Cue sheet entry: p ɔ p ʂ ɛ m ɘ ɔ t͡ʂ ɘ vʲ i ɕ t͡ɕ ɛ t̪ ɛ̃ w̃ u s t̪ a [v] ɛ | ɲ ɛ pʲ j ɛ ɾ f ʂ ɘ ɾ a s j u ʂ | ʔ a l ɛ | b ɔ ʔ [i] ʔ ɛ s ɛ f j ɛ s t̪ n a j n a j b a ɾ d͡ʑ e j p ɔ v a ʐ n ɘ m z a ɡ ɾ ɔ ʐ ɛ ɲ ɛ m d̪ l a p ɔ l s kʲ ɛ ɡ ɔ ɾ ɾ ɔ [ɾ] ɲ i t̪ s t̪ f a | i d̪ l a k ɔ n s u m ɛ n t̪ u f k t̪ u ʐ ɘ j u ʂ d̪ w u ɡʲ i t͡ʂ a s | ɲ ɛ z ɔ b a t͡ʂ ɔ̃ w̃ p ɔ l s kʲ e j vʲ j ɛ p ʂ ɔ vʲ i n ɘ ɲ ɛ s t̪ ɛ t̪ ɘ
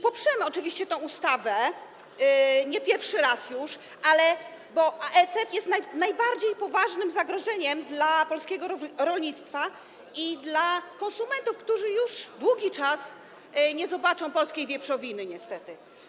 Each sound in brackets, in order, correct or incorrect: correct, incorrect: a, incorrect: l

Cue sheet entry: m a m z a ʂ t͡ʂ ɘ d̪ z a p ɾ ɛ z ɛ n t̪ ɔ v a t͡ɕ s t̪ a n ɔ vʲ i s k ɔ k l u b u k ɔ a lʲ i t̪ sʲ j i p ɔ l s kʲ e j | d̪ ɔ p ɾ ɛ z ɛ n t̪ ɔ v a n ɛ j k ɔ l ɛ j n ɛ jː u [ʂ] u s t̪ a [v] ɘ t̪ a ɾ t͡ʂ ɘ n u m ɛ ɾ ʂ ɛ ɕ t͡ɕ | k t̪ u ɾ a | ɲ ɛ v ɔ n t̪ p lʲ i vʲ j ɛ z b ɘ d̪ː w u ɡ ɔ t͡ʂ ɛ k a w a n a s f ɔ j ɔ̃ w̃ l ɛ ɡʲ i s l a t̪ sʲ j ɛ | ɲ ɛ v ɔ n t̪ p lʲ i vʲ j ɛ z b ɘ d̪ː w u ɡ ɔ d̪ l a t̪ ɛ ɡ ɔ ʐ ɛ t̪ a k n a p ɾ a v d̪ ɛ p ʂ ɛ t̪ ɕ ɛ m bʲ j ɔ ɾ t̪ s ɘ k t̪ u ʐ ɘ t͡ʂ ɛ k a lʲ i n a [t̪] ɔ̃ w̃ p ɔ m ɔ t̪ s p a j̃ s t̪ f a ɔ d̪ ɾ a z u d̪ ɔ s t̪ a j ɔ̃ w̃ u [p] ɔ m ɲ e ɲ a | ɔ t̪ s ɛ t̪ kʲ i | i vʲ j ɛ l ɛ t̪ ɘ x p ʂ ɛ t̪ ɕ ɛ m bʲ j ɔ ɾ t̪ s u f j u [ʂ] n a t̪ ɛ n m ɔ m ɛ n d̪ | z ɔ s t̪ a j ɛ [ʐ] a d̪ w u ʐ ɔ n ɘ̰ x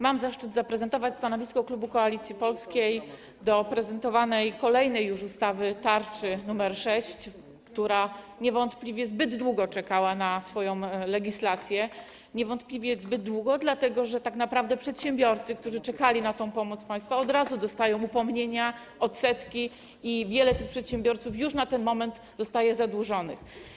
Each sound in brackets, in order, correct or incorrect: correct, correct, correct, correct, correct, incorrect: z

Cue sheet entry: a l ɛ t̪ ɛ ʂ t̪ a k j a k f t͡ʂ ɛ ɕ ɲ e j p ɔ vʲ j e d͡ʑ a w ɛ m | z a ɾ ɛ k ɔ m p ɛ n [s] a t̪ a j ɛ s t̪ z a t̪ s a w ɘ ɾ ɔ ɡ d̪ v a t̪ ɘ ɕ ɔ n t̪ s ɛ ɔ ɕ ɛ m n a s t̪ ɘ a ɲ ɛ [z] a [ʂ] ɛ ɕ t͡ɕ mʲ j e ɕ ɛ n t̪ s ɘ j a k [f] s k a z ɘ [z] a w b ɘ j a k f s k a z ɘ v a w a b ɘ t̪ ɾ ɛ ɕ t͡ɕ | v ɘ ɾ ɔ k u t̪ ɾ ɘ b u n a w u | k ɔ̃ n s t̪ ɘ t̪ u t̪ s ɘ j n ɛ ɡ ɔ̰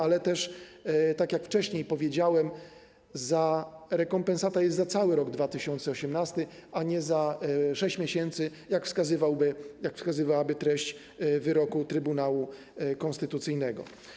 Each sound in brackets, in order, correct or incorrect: correct, correct, correct, correct, incorrect: v

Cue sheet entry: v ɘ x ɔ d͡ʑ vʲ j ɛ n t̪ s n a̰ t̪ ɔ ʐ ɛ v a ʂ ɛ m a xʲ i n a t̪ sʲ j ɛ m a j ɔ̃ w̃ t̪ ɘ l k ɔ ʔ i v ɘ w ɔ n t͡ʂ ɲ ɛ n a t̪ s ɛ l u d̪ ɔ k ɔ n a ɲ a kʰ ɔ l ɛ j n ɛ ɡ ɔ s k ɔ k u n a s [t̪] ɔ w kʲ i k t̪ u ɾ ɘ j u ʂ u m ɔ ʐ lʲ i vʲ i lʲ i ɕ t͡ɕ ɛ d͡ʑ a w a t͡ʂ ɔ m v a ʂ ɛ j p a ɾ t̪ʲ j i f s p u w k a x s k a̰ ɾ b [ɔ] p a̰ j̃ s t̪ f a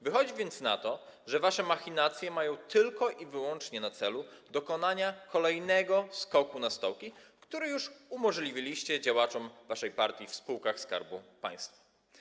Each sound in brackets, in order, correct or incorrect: correct, incorrect: u

